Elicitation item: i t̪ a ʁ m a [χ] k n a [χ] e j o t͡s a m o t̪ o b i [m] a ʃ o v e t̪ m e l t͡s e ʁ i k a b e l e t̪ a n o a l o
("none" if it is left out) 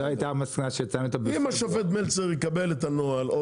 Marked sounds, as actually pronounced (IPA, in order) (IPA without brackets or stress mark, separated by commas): s, ʃ, m